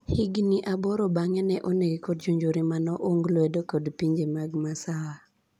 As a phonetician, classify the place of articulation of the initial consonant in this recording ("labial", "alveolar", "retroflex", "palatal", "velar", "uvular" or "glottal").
glottal